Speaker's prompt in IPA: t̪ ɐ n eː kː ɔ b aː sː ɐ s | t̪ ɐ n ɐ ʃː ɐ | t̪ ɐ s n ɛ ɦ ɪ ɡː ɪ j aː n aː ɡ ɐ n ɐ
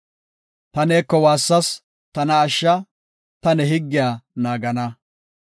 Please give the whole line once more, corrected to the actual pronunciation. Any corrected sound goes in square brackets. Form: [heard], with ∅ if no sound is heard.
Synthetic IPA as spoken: t̪ ɐ n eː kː ɔ [w] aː sː ɐ s | t̪ ɐ n [ɐː] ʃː ɐ | t̪ ɐ [∅] n ɛ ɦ ɪ ɡː ɪ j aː n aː ɡ ɐ n ɐ